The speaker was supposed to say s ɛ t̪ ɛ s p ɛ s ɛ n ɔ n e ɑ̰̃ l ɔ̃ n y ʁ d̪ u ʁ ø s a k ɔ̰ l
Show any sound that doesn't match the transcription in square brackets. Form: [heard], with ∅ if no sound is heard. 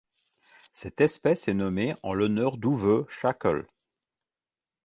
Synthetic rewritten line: s ɛ t̪ ɛ s p ɛ s ɛ n ɔ [m] e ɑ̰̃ l [ɔ] n [œ] ʁ d̪ u [v] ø [ʃ] a k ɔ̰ l